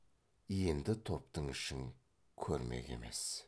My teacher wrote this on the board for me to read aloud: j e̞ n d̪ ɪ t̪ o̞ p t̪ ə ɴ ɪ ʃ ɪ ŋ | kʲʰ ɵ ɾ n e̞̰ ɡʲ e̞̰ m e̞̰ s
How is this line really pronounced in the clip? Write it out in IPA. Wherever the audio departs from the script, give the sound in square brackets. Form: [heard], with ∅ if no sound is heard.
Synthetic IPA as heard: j e̞ n d̪ ɪ [t̪ʰ] o̞ p t̪ ə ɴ ɪ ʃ ɪ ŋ | kʲʰ ɵ ɾ [m] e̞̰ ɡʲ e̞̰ m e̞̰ s